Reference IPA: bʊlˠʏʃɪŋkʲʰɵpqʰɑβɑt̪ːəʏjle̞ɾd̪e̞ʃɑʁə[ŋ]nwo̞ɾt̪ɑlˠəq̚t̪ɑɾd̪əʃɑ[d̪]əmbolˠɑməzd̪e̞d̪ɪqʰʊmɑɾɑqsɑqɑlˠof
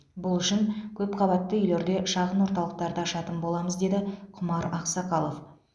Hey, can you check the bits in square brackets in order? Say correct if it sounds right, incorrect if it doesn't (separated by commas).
incorrect, incorrect